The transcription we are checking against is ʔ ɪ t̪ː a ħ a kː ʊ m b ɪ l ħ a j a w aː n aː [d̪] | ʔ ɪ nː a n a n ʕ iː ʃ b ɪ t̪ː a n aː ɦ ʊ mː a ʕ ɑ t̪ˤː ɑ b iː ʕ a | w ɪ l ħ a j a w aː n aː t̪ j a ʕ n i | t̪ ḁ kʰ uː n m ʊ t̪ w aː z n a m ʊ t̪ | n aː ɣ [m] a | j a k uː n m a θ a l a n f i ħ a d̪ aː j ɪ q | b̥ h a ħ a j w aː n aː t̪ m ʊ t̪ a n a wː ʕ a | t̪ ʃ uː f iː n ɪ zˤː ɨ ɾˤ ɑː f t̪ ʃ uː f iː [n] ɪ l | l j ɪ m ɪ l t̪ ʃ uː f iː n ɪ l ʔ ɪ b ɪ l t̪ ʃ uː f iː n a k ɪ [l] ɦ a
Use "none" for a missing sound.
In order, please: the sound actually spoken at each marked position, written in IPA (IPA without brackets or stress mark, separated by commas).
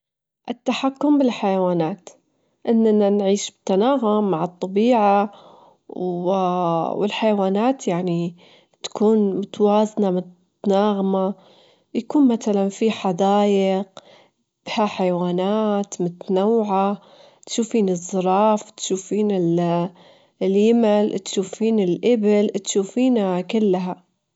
t̪, m, n, lː